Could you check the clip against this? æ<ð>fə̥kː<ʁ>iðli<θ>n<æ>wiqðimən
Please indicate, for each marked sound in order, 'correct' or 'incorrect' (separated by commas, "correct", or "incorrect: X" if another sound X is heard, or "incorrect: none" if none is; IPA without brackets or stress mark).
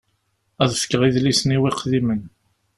correct, correct, incorrect: s, incorrect: i